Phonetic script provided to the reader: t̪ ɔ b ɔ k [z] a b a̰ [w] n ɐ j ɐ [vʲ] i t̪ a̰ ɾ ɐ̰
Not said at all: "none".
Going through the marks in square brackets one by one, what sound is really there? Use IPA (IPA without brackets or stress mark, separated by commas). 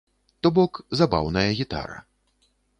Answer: z, w, ɣʲ